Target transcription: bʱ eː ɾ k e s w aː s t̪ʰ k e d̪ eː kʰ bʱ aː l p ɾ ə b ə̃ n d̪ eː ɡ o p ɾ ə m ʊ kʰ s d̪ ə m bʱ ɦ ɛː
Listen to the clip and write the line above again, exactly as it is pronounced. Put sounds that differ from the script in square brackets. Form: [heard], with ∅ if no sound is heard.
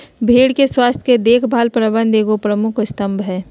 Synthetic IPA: bʱ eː [ɽ] k e s w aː s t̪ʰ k e d̪ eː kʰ bʱ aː l p ɾ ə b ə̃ n d̪ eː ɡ o p ɾ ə m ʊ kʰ s [t̪] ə m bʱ ɦ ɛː